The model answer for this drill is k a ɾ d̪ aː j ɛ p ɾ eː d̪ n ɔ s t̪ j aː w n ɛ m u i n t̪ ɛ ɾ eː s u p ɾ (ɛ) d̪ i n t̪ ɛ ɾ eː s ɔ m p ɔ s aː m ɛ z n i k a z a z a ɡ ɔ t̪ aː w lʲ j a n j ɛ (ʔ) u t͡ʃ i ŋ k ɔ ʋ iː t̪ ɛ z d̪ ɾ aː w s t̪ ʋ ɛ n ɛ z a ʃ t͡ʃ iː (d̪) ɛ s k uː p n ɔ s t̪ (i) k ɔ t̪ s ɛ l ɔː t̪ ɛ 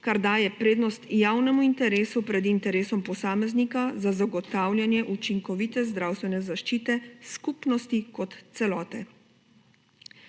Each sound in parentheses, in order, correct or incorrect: correct, correct, incorrect: t̪, correct

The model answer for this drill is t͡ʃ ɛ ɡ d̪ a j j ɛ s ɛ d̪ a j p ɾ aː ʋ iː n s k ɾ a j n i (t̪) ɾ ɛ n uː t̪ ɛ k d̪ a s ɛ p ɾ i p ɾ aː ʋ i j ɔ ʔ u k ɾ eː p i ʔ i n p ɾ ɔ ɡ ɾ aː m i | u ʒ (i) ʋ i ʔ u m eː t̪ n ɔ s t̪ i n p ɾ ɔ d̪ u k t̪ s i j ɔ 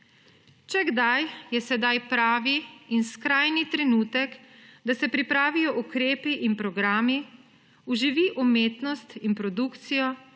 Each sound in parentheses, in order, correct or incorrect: correct, correct

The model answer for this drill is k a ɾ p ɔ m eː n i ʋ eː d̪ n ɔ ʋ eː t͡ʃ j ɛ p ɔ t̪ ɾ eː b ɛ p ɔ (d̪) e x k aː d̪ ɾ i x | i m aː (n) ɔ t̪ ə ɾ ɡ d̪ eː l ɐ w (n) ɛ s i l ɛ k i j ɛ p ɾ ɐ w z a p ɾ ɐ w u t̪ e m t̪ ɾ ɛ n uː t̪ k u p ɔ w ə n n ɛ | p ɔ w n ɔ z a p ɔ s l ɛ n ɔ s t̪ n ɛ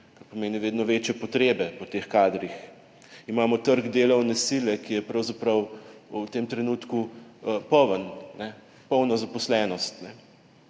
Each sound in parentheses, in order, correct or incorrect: incorrect: t̪, incorrect: m, correct

